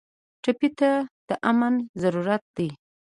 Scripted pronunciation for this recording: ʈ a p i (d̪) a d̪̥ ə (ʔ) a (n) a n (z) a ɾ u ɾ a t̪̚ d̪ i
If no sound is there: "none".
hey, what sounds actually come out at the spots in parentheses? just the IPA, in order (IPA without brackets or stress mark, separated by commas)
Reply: t̪, ʔ, m, z